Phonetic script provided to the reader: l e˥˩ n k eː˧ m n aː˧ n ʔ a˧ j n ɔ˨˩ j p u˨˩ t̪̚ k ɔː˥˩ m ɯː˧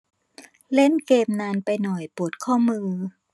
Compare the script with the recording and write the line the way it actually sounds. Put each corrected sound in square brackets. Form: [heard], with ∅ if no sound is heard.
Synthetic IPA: l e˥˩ n k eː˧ m n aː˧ n [p] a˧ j n ɔ˨˩ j p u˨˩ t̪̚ [kʰ] ɔː˥˩ m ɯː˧

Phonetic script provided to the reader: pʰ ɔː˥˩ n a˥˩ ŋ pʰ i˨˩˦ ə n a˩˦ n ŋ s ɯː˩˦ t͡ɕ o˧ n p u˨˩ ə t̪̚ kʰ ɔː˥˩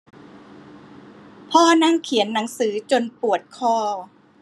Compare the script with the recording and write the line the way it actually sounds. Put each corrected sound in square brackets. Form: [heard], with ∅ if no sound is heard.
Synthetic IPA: pʰ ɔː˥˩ n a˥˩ ŋ [kʰ] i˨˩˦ ə [nː] a˩˦ [∅] ŋ s ɯː˩˦ t͡ɕ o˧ n p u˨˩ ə t̪̚ kʰ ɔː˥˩

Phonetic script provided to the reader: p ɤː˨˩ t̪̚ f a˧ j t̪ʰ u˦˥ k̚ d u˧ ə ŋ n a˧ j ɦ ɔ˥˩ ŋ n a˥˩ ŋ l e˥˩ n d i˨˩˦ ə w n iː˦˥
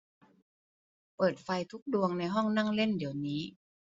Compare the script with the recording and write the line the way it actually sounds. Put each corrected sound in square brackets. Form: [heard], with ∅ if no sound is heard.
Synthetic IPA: p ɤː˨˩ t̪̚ f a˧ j t̪ʰ u˦˥ k̚ d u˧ ə ŋ n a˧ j ɦ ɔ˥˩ ŋ n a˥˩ ŋ l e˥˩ n d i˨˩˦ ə w n iː˦˥

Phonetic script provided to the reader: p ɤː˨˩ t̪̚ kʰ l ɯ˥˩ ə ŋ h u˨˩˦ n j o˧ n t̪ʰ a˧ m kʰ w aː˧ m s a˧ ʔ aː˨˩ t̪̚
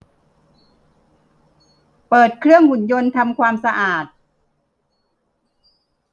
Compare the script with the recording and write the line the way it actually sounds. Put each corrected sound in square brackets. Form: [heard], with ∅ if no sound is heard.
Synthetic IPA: p ɤː˨˩ t̪̚ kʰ [ɾ] ɯ˥˩ ə ŋ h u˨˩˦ n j o˧ n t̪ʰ a˧ m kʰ w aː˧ m s a˧ ʔ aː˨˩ t̪̚

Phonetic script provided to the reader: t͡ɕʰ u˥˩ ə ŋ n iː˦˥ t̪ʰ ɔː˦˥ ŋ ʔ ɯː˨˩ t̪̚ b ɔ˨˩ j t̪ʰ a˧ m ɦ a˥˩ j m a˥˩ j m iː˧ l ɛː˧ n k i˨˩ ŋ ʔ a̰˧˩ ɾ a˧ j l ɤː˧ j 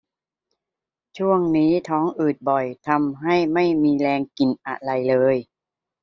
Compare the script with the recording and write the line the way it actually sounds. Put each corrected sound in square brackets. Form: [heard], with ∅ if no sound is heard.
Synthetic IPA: t͡ɕʰ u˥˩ ə ŋ n iː˦˥ t̪ʰ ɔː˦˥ ŋ ʔ ɯː˨˩ t̪̚ b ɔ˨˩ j t̪ʰ a˧ m ɦ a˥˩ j m a˥˩ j m iː˧ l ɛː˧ [ŋ] k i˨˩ [n] ʔ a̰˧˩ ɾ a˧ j l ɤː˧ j

